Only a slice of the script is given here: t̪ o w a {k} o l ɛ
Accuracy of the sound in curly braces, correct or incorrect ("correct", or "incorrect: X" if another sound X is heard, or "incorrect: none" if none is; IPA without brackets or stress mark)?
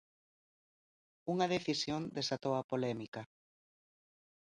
incorrect: p